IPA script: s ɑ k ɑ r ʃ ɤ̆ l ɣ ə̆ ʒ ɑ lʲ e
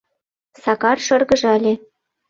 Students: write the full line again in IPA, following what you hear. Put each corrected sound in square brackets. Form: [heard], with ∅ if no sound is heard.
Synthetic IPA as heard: s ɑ k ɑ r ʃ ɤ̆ [r] ɣ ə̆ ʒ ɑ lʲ e